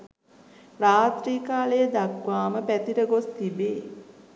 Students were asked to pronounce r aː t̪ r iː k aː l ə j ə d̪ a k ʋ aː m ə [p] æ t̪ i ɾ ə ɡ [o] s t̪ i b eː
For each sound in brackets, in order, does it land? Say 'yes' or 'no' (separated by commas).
yes, yes